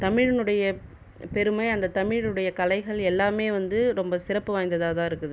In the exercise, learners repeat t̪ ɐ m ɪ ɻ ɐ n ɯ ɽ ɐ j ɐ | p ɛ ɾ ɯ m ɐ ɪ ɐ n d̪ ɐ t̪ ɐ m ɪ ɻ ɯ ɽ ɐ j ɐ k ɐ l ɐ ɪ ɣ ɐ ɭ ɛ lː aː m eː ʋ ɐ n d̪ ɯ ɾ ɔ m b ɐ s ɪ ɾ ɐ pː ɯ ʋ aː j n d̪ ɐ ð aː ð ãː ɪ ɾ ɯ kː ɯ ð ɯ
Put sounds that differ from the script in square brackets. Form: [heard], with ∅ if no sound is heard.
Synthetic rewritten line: t̪ ɐ m ɪ ɻ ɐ n ɯ ɽ ɐ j ɐ | p ɛ ɾ ɯ m ɐ ɪ ɐ n d̪ ɐ t̪ ɐ m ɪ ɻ ɯ ɽ ɐ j ɐ k ɐ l ɐ ɪ ɣ ɐ ɭ ɛ lː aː m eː ʋ ɐ n d̪ ɯ ɾ ɔ m b ɐ s ɪ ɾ ɐ pː ɯ ʋ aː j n d̪ ɐ ð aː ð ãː ɪ ɾ ɯ kː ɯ ð ɯ